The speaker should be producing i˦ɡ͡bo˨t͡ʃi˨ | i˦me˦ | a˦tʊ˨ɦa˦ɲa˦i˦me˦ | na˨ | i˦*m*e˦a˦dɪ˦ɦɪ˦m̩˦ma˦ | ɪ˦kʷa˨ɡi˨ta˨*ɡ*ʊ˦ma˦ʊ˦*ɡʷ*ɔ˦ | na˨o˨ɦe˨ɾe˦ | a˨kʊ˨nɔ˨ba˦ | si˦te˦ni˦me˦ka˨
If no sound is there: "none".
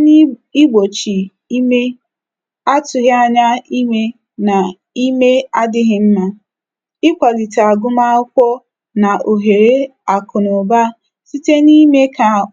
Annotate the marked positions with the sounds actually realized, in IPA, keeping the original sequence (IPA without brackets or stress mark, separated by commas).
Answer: m, ɡ, kʷ